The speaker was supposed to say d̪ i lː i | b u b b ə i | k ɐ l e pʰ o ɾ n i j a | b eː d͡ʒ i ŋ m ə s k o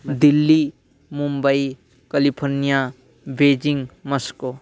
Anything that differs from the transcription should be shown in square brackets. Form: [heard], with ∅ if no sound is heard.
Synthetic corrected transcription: d̪ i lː i | [m] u [m] b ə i | k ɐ l [i] pʰ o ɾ n i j a | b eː d͡ʒ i ŋ m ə s k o